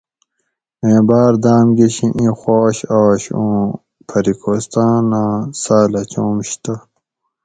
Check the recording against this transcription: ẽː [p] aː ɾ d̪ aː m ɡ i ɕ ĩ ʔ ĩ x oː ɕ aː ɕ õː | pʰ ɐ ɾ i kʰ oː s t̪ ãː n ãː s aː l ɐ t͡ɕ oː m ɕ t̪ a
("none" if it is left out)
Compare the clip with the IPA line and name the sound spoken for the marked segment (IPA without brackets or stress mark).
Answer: b